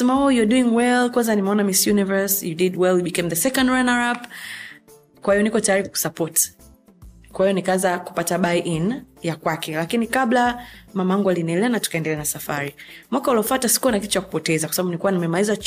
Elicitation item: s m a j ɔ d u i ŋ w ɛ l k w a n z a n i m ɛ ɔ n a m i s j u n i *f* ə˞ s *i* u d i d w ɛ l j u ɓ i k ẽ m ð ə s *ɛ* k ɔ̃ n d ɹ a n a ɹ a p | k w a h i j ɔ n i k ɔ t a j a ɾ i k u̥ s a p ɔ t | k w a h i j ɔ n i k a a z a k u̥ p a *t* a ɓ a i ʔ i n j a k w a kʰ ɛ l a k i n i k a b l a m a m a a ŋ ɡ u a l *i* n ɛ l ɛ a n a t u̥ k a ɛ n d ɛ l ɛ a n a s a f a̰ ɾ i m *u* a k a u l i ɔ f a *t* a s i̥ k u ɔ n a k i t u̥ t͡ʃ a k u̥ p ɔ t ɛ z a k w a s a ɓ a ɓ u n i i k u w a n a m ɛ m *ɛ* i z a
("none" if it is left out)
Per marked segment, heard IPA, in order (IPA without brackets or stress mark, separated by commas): v, j, ɛ, t, i, w, t, a